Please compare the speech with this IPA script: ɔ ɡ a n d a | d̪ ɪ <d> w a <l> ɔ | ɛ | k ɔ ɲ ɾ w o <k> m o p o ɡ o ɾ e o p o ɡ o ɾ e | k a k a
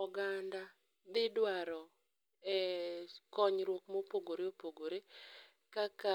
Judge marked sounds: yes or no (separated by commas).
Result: yes, no, yes